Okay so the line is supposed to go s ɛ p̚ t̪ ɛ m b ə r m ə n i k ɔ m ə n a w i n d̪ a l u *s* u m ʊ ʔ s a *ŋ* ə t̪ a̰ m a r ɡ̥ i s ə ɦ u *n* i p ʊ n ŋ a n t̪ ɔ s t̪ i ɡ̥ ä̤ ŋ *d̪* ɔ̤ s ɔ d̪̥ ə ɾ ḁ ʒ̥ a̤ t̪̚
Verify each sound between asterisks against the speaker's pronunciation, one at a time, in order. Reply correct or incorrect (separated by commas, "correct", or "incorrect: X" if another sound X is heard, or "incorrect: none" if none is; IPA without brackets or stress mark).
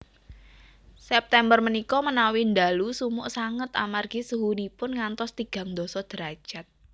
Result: correct, correct, correct, correct